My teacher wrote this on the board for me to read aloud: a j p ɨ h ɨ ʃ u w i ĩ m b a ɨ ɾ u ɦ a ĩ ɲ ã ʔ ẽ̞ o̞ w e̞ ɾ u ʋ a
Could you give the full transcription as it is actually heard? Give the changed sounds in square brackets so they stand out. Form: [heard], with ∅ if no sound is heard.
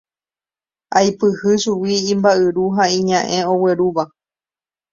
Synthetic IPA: a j p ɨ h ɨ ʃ u w i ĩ m b a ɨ ɾ u ɦ a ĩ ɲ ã ʔ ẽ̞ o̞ w e̞ ɾ u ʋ a